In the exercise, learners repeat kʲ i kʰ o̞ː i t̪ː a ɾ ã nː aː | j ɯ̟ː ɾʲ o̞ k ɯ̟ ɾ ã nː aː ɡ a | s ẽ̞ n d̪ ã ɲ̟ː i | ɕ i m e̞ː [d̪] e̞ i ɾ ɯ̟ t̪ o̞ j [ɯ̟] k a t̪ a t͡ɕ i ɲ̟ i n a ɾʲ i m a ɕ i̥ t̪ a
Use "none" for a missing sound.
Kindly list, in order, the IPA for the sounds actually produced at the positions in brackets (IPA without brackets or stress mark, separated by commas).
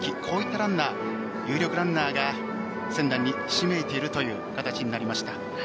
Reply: t̪, ɯ̟ː